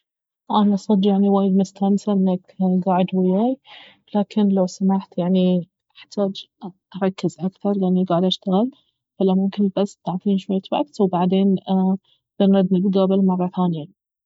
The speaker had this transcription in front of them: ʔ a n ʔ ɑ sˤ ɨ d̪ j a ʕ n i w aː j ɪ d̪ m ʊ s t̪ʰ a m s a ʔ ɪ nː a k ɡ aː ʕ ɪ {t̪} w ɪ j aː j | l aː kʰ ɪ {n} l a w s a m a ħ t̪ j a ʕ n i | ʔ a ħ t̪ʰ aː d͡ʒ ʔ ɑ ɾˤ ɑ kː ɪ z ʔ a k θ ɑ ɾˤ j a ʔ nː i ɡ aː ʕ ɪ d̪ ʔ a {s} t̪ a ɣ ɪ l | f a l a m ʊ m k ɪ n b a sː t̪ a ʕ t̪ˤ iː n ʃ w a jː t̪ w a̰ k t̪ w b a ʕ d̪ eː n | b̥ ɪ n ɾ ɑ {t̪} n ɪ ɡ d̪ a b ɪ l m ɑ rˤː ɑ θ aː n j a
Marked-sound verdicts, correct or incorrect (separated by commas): incorrect, correct, incorrect, incorrect